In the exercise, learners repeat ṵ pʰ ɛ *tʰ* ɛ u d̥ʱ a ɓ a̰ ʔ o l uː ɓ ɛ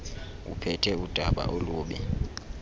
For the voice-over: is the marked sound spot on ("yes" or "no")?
yes